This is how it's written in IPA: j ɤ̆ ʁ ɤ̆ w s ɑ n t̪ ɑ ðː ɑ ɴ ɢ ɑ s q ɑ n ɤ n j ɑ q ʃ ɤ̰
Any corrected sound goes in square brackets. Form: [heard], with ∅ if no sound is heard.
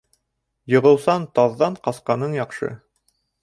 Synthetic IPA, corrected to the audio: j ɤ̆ ʁ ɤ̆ w s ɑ n t̪ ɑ ðː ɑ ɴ [q] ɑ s q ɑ n ɤ [ɴ] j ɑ q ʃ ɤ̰